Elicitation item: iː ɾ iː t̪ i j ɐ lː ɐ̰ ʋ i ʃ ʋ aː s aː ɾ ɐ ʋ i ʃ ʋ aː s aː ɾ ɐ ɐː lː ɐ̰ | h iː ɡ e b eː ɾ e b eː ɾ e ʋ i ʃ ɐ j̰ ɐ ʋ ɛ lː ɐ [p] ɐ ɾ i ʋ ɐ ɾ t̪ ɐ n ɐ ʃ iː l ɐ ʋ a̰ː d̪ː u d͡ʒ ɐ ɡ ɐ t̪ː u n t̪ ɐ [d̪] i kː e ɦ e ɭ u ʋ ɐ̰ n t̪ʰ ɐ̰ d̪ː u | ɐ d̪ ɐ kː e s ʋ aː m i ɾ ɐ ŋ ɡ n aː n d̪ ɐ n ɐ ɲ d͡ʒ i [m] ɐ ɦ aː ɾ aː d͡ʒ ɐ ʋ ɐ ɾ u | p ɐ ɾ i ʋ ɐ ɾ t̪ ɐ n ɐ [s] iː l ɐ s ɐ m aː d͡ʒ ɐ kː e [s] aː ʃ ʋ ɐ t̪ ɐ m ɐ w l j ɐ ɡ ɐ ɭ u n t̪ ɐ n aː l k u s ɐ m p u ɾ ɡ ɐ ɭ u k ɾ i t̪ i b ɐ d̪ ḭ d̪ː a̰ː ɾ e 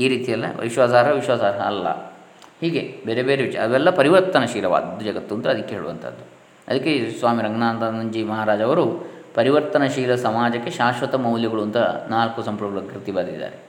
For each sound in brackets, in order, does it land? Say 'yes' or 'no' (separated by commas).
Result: yes, yes, yes, no, no